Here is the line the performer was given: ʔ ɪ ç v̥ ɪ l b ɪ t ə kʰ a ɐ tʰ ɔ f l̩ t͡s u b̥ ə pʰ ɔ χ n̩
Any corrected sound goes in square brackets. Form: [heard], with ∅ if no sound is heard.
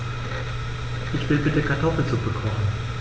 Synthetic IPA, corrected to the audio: ʔ ɪ ç v̥ ɪ l b ɪ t ə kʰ a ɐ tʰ ɔ f l̩ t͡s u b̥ ə [kʰ] ɔ χ n̩